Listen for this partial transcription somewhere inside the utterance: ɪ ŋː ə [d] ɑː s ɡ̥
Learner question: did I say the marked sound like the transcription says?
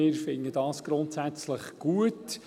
yes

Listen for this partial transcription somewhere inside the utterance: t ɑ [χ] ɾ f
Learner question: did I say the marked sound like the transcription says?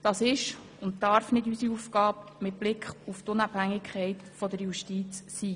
no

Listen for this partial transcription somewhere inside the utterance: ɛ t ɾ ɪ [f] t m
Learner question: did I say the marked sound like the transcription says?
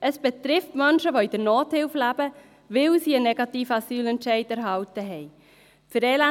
yes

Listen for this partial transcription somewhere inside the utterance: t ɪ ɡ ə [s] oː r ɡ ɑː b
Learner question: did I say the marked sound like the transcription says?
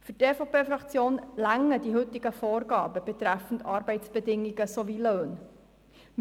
no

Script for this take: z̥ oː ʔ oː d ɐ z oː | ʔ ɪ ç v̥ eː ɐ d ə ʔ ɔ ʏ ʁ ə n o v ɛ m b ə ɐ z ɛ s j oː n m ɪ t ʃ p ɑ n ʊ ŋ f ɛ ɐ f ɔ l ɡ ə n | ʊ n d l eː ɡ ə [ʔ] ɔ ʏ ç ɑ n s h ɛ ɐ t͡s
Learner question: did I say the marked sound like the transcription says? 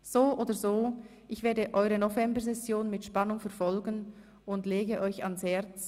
yes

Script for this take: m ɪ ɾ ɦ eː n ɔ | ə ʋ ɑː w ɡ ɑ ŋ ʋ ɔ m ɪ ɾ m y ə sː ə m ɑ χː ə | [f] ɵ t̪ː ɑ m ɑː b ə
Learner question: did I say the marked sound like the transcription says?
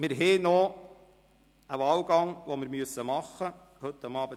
no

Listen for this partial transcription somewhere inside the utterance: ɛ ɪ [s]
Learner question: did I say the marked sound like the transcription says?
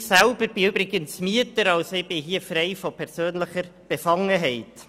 no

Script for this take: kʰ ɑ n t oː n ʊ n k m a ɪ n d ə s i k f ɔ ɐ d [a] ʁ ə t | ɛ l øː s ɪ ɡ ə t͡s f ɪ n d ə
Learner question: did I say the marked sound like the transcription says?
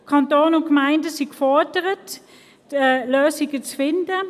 no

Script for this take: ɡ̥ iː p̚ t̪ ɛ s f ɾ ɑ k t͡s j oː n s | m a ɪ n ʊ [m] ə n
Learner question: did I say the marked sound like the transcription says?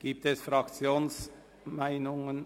no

